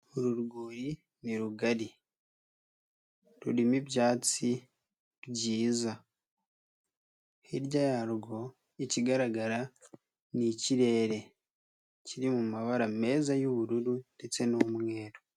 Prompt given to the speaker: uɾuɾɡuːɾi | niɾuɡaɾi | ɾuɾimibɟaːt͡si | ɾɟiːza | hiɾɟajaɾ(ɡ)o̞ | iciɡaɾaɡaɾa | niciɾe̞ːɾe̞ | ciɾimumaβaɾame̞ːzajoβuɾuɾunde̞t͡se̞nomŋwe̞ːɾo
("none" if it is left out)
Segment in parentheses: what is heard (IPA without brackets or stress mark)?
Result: ɡ